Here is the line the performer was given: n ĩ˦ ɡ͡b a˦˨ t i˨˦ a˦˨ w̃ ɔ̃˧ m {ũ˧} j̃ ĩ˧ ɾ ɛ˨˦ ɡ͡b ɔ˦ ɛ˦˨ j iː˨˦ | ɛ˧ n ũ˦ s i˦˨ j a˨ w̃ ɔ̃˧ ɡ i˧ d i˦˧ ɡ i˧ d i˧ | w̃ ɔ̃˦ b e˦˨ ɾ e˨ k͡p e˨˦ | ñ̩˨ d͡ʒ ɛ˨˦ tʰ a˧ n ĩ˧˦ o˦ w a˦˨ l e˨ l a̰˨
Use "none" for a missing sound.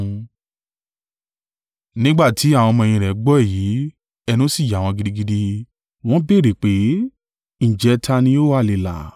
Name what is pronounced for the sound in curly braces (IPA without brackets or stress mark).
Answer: ɔ̃˧